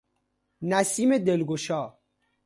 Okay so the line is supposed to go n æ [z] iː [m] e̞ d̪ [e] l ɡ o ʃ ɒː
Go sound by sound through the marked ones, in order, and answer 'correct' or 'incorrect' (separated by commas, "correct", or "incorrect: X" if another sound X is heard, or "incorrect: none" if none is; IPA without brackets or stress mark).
incorrect: s, correct, correct